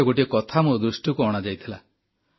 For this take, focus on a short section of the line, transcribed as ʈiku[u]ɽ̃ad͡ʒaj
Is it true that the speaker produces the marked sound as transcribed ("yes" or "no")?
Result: no